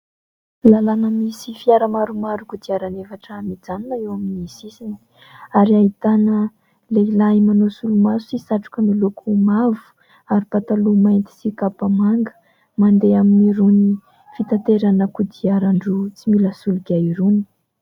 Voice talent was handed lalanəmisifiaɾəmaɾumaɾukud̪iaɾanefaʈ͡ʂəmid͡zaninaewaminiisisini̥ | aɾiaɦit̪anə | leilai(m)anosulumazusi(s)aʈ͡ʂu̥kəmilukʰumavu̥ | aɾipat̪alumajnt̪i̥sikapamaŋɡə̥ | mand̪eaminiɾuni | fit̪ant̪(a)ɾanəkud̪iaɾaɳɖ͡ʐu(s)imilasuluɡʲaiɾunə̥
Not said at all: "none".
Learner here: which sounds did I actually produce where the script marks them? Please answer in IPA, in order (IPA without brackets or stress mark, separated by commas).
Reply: m, s, e, t͡s